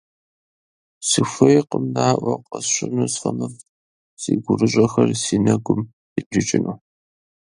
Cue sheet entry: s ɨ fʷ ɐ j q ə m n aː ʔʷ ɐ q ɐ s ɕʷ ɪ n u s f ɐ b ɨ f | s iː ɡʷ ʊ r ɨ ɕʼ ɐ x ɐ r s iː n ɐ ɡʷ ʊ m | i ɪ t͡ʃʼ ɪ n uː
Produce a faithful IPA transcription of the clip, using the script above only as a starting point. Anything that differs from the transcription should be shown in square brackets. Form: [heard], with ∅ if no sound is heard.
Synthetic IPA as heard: s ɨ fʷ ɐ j q ə m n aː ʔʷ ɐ q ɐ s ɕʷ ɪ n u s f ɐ [m] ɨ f | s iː ɡʷ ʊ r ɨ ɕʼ ɐ x ɐ r s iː n ɐ ɡʷ ʊ m | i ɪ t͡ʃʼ ɪ n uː